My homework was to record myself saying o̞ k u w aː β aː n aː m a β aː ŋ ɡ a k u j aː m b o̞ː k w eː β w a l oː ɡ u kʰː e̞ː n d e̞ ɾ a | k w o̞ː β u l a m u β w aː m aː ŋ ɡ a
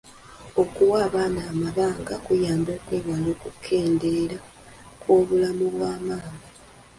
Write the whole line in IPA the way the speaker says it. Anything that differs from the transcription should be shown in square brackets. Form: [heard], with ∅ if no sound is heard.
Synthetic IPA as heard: o̞ k u w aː β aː n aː m a β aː ŋ ɡ a k u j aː m b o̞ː k w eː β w a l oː [k] u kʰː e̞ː n d e̞ ɾ a | k w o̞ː β u l a m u β w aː m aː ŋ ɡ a